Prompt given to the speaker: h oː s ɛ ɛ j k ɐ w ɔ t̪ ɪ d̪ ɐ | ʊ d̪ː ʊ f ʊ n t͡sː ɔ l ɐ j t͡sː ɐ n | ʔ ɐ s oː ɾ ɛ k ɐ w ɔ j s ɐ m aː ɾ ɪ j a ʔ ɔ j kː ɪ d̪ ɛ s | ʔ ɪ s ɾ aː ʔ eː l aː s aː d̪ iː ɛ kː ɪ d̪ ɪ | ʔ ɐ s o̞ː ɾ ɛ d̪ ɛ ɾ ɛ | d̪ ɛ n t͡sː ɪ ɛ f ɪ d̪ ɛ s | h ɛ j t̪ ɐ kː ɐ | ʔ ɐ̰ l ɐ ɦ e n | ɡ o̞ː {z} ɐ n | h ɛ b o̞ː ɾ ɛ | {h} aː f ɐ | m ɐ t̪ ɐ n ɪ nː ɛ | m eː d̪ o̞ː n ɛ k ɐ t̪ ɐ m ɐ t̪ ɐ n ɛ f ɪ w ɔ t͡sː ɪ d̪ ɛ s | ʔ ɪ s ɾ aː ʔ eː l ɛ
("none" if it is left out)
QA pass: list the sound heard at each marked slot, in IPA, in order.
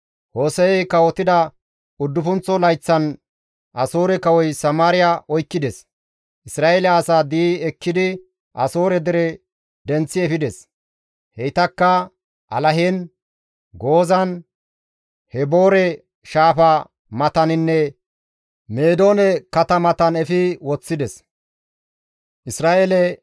z, ʃ

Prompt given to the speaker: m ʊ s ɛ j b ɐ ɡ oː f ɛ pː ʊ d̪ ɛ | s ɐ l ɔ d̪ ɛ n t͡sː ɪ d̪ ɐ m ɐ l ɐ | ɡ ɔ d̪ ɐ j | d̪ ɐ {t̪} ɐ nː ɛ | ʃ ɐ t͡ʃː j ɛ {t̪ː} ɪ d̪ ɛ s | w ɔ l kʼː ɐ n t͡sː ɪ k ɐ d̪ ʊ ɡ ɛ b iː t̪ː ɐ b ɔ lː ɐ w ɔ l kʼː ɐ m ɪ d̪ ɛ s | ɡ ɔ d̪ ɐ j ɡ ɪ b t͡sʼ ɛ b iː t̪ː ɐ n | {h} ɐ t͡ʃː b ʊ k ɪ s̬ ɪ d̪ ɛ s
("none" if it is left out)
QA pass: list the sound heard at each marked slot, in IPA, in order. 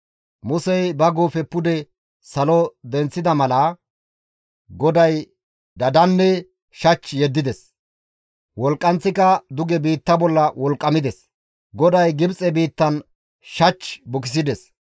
d̪, d̪ː, ʃ

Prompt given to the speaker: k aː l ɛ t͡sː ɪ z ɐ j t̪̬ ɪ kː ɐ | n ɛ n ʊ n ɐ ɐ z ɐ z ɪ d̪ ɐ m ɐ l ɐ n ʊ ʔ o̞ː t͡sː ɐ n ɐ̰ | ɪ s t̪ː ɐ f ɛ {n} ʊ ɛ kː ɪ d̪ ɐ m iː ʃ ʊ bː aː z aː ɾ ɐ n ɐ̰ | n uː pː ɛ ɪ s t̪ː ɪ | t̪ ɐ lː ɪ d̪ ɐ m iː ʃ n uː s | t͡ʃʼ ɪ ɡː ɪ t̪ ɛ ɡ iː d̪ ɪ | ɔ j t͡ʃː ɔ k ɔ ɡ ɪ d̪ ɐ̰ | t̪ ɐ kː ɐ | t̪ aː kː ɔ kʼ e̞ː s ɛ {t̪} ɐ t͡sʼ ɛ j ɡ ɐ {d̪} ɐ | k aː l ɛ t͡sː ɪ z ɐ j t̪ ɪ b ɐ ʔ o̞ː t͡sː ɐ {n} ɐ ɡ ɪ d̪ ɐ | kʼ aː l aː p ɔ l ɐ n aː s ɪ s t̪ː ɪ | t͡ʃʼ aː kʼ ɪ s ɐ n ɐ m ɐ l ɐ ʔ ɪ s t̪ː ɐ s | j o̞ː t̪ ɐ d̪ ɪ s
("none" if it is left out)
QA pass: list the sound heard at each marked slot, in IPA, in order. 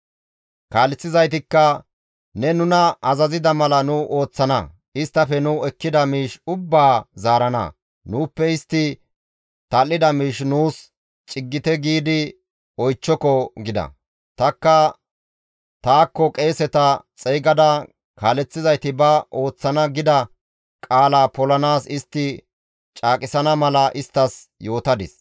n, t̪, d̪, n

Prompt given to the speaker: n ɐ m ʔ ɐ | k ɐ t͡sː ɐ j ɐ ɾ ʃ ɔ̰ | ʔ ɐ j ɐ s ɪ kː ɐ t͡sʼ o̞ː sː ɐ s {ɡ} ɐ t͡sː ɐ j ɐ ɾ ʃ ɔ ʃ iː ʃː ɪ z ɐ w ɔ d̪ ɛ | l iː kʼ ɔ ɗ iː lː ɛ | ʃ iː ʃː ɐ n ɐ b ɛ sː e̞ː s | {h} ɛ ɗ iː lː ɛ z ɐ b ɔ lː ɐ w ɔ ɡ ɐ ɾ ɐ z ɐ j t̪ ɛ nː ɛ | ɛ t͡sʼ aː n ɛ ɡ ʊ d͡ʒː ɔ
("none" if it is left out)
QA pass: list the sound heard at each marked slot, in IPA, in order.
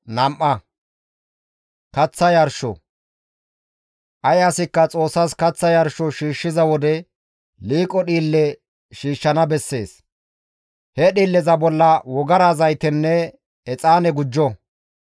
k, h

